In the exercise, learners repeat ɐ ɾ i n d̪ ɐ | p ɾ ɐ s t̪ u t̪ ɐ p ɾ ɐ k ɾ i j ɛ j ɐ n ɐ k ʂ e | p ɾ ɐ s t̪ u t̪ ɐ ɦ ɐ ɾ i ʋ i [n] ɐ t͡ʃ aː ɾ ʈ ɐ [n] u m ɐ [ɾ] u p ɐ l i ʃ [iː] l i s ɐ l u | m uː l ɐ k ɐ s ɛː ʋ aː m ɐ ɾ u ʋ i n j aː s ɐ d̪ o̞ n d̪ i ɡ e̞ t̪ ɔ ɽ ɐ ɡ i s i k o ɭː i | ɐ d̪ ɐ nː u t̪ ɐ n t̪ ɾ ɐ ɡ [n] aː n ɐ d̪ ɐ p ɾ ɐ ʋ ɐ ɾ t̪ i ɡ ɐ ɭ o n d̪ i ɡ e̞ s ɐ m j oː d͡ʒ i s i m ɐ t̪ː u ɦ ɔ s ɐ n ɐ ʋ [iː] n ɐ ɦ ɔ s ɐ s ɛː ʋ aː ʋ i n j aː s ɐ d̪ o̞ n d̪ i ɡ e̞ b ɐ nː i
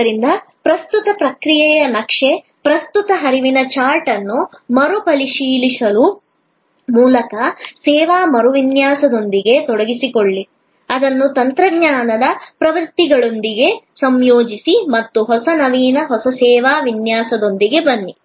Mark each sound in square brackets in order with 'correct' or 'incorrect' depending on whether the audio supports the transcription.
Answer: correct, incorrect: nː, correct, correct, incorrect: ɲ, correct

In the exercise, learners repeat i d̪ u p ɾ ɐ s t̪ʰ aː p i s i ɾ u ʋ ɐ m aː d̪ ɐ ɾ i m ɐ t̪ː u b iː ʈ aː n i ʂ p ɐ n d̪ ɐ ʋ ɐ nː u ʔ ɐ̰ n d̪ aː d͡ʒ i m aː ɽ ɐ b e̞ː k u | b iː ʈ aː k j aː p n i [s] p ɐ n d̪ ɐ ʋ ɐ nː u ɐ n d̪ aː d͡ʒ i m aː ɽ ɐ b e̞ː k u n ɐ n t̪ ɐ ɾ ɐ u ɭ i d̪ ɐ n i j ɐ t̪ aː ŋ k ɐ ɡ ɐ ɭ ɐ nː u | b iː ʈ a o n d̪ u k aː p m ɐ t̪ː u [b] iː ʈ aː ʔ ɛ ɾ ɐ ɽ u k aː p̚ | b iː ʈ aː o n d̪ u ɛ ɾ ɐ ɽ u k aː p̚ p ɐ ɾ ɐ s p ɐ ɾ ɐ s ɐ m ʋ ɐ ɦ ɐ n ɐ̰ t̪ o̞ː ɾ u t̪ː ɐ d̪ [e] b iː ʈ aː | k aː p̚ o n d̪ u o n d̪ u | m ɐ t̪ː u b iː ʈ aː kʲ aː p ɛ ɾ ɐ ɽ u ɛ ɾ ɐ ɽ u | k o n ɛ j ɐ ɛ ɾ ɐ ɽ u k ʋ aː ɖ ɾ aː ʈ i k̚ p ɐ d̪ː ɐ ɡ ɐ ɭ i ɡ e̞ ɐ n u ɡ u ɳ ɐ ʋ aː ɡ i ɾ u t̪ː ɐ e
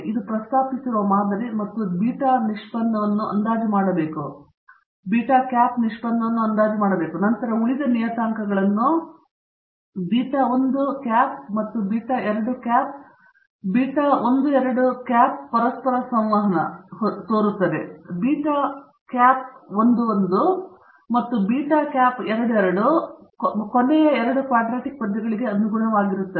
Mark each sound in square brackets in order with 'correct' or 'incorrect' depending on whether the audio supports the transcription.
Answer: incorrect: ʂ, correct, correct

